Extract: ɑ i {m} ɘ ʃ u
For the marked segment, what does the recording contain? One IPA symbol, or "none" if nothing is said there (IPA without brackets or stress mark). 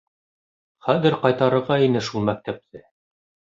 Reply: n